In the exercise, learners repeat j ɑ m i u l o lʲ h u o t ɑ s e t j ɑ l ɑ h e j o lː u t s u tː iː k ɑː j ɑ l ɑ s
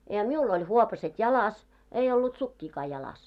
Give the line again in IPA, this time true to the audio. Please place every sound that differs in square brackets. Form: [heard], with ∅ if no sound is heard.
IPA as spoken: j ɑ m i u l o lʲ h u o [p] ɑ s e t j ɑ l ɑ [s] e [i] o lː u t s u [kː] iː k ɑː j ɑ l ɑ s